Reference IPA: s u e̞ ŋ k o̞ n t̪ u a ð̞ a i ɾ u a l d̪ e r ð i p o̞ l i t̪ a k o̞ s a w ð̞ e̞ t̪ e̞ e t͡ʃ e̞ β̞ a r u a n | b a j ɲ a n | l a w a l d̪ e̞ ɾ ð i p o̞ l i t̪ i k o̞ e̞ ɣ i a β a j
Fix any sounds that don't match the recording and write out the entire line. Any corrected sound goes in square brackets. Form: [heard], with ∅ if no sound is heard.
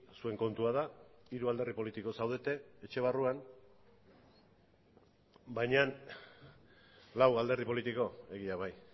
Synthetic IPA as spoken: s u e̞ ŋ k o̞ n t̪ u a ð̞ a i ɾ u a l d̪ e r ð i p o̞ l i t̪ [i] k o̞ s a w ð̞ e̞ t̪ e̞ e t͡ʃ e̞ β̞ a r u a n | b a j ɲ a n | l a w a l d̪ e̞ ɾ ð i p o̞ l i t̪ i k o̞ e̞ ɣ i a β a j